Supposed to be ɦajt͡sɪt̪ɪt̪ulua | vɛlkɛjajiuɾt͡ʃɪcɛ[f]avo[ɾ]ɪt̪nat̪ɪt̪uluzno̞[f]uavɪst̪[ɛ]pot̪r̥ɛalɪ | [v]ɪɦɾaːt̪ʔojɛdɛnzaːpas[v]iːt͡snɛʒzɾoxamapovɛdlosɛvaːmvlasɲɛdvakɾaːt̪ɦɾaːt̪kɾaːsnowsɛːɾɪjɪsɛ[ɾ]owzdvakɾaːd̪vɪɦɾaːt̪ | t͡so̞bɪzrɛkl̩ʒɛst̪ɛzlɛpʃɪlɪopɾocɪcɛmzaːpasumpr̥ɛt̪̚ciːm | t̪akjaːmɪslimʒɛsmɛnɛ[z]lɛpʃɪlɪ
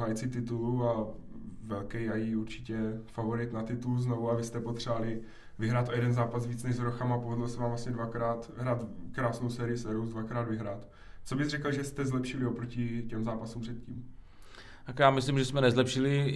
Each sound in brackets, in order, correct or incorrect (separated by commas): correct, correct, incorrect, correct, correct, correct, correct, correct